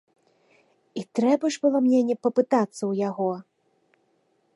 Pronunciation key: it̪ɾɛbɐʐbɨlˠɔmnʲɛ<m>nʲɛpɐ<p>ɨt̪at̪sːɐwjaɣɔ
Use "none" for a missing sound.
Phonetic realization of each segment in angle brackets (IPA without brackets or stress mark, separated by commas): none, p